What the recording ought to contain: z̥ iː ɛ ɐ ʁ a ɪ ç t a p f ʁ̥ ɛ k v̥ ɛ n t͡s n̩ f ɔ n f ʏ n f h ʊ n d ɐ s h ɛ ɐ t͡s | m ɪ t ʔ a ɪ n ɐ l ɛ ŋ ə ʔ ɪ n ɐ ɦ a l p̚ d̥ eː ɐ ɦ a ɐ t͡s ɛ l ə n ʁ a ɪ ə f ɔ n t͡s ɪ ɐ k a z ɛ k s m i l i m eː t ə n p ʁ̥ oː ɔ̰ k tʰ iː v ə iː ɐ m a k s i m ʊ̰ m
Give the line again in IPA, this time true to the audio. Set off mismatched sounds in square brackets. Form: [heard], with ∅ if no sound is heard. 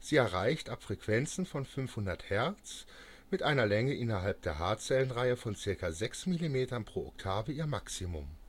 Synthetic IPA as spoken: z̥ iː ɛ ɐ ʁ a ɪ ç t a p f ʁ̥ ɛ k v̥ ɛ n t͡s n̩ f ɔ n f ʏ n f h ʊ n d ɐ [t] h ɛ ɐ t͡s | m ɪ t ʔ a ɪ n ɐ l ɛ ŋ ə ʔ ɪ n ɐ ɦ a l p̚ d̥ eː ɐ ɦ a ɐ t͡s ɛ l ə n ʁ a ɪ ə f ɔ n t͡s ɪ ɐ k a z ɛ k s m i l i m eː t [ɐ] n p ʁ̥ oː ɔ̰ k tʰ [aː] v ə iː ɐ m a k s i m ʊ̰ m